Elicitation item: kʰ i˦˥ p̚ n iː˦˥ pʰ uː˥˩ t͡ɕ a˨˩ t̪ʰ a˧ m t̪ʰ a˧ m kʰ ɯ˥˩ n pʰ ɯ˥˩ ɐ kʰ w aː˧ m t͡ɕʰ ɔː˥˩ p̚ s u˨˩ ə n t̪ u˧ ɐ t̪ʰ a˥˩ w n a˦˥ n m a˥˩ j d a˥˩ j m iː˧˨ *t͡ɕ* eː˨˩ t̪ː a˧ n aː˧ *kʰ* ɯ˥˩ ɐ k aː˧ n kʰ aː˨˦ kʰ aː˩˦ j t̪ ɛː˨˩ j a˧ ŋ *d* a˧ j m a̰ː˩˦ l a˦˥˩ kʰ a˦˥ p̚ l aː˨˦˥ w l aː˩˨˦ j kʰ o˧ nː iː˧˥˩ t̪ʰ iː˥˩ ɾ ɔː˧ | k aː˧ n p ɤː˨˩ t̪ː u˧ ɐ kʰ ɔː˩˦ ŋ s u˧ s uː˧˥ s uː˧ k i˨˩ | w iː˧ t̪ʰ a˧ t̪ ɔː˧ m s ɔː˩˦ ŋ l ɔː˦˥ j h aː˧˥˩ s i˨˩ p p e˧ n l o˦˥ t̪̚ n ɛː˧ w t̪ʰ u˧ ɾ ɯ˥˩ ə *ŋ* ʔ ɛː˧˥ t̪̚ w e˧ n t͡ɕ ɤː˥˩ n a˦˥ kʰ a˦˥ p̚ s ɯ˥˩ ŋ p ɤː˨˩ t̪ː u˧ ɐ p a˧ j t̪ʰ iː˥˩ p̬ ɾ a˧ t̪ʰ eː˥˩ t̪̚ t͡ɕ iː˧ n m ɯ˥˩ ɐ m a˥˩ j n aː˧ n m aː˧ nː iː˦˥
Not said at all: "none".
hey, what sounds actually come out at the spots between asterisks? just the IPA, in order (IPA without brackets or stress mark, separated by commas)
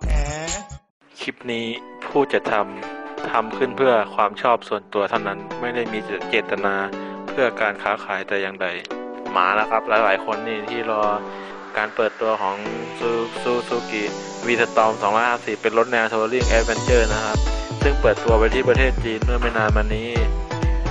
t͡ɕ, pʰ, d, ŋ